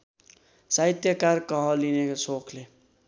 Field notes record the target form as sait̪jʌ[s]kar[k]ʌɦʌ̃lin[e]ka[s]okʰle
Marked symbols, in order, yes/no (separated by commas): no, yes, yes, yes